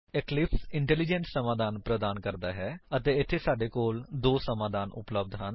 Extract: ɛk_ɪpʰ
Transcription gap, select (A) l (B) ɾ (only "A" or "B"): A